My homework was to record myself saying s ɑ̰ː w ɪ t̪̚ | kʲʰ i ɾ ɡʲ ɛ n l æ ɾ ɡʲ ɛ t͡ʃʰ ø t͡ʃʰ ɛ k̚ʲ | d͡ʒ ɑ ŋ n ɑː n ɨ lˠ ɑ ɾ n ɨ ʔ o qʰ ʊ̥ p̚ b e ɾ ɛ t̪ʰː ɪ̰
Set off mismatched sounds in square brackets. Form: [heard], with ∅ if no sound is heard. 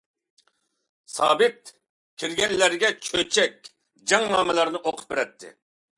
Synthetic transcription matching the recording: s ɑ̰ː [b] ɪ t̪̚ | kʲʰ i ɾ ɡʲ ɛ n l æ ɾ ɡʲ ɛ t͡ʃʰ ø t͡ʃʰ ɛ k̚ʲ | d͡ʒ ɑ ŋ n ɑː [m] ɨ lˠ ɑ ɾ n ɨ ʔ o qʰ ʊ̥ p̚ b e ɾ ɛ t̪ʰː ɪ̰